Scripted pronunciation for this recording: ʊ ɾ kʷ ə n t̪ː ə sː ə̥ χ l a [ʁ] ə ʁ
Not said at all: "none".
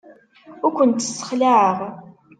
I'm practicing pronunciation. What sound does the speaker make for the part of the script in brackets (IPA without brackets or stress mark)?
ʕ